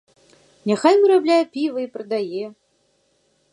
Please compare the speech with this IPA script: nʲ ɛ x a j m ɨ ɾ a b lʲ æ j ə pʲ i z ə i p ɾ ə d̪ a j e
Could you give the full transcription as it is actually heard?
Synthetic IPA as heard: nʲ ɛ x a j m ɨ ɾ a b lʲ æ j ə pʲ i v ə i p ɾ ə d̪ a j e

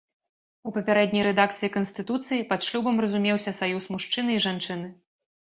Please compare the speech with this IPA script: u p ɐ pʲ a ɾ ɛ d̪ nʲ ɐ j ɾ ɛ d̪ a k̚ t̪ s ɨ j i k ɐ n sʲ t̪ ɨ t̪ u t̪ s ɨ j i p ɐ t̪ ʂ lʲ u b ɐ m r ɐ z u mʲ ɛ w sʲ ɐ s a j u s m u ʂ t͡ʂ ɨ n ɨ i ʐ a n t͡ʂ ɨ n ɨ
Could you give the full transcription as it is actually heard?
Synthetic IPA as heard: u p ɐ pʲ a ɾ ɛ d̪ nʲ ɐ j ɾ ɛ d̪ a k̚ t̪ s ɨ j i k ɐ n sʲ t̪ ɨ t̪ u t̪ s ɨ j i p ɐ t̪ ʂ lʲ u b ɐ m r ɐ z u mʲ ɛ w sʲ ɐ s a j u s m u ʂ t͡ʂ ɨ n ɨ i ʐ a n t͡ʂ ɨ n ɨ

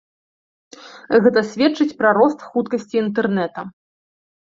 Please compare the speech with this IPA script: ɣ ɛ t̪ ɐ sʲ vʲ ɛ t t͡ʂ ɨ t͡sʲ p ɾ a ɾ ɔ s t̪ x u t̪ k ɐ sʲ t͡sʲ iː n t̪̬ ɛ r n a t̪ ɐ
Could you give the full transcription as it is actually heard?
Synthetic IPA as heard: ɣ ɛ t̪ ɐ sʲ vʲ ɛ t t͡ʂ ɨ t͡sʲ p ɾ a ɾ ɔ s t̪ x u t̪ k ɐ sʲ t͡sʲ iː n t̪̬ ɛ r n ɛ t̪ ɐ

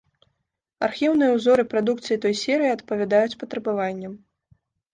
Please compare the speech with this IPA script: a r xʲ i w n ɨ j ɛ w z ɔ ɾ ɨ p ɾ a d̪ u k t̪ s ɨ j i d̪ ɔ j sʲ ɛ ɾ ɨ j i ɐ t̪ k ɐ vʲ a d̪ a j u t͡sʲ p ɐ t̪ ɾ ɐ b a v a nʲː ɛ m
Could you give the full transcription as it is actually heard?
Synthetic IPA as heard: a r xʲ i w n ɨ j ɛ w z ɔ ɾ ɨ p ɾ a d̪ u k t̪ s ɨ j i t̪ ɔ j sʲ ɛ ɾ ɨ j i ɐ t̪ p ɐ vʲ a d̪ a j u t͡sʲ p ɐ t̪ ɾ ɐ b a v a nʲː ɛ m

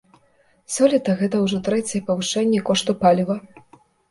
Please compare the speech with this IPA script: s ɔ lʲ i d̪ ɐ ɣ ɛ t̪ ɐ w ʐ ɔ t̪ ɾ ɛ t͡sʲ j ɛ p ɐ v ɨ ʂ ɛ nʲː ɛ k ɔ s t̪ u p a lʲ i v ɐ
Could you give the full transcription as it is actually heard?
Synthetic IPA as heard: s ɔ lʲ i t̪ ɐ ɣ ɛ t̪ ɐ w ʐ ɔ t̪ ɾ ɛ t͡sʲ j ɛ p ɐ v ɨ ʂ ɛ nʲː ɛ k ɔ ʂ t̪ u p a lʲ i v ɐ

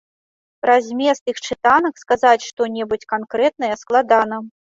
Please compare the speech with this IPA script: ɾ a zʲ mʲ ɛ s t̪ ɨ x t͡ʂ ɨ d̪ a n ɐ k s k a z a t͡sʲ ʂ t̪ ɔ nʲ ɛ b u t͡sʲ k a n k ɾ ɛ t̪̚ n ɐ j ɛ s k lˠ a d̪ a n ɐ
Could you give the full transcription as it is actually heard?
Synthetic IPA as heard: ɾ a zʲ mʲ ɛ s t̪ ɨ x t͡ʂ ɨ t̪ a n ɐ k s k a z a t͡sʲ ʂ t̪ ɔ nʲ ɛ b u t͡sʲ k a n k ɾ ɛ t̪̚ n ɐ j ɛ s k lˠ a d̪ a n ɐ

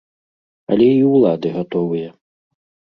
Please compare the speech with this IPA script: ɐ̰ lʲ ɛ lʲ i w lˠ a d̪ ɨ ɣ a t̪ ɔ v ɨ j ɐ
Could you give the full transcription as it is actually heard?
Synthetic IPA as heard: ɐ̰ lʲ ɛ i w lˠ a d̪ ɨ ɣ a t̪ ɔ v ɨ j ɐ

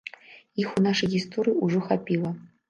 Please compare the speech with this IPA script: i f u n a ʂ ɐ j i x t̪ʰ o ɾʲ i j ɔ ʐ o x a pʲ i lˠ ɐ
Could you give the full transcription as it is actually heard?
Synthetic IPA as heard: i x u n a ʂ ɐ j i s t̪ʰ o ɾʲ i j u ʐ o x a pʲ i lˠ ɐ

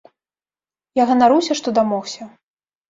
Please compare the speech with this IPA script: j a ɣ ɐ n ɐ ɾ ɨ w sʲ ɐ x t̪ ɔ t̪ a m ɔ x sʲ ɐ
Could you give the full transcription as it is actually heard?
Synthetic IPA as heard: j a ɣ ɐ n a ɾ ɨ w sʲ ɐ ʂ t̪ ɔ d̪ a m ɔ x sʲ ɐ

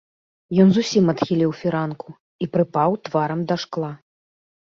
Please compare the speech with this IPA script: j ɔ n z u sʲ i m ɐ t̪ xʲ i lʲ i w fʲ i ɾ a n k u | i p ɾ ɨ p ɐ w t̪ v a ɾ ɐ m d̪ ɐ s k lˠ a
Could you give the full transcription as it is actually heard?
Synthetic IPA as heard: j ɔ n z u sʲ i m ɐ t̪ xʲ i lʲ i w fʲ i ɾ a n k u | i p ɾ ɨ p a w t̪ v a ɾ ɐ m d̪ ɐ ʂ k lˠ a

